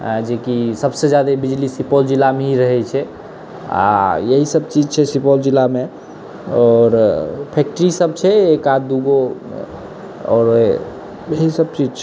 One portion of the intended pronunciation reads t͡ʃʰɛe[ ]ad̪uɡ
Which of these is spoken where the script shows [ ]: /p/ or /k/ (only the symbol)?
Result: k